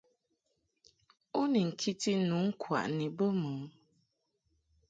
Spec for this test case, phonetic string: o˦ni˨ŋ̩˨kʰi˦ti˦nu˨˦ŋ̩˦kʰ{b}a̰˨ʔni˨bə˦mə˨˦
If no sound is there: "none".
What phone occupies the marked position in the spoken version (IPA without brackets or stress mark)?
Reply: w